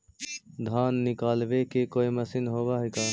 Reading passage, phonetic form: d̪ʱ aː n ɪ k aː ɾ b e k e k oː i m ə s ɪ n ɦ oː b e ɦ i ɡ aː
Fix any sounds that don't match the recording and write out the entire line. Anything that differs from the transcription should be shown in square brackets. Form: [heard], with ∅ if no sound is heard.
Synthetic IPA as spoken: d̪ʱ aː [nː] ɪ k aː [l] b e k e k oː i m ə s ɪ n ɦ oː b [a] ɦ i [k] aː